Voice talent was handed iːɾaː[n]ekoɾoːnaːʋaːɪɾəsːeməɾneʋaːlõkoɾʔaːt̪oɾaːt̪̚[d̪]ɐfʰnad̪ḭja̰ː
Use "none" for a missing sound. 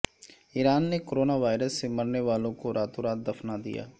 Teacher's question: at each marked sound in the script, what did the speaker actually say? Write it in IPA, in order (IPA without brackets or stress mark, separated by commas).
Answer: nː, d̪